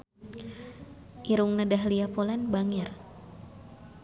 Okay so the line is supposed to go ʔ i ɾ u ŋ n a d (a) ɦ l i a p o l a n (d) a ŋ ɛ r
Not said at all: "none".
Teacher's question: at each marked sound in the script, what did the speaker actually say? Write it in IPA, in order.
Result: a, b

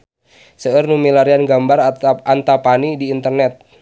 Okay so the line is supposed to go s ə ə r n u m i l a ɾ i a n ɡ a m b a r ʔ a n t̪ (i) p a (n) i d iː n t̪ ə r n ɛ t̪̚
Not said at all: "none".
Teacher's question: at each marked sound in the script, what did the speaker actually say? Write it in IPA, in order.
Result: a, n

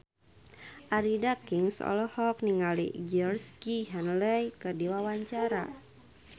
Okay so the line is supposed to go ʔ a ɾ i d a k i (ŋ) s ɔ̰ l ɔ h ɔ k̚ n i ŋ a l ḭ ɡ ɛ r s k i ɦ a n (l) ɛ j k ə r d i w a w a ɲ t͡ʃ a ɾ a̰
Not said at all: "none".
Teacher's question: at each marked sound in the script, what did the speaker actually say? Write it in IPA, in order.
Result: ŋ, l

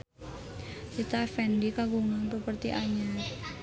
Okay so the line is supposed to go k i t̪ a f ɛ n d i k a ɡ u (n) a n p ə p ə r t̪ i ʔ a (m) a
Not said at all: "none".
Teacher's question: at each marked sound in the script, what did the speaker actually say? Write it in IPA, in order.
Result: ŋ, ɲ

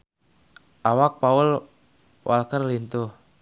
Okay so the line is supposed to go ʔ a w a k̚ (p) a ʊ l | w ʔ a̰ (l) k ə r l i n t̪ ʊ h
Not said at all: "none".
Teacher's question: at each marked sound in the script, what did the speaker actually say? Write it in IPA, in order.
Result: p, l

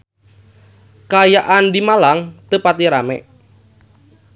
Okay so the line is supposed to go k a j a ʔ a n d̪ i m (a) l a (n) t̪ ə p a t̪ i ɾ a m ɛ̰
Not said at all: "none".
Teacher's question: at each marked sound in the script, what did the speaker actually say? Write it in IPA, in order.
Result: a, ŋ

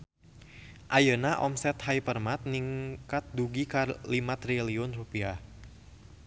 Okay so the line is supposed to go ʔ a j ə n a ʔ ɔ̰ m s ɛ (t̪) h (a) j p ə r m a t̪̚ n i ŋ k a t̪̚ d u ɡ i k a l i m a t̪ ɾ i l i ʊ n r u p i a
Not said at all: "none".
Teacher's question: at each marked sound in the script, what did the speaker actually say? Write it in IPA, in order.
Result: t̪, a

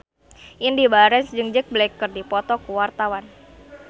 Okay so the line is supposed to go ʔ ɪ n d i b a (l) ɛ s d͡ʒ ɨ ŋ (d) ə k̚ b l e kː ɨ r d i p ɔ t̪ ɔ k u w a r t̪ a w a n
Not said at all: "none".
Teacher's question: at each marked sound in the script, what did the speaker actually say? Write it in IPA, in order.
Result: ɾ, d͡ʒ

